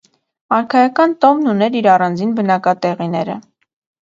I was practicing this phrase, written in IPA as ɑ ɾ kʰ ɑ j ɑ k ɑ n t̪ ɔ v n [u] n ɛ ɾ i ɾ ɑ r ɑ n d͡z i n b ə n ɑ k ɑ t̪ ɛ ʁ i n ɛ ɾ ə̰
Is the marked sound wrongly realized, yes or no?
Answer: no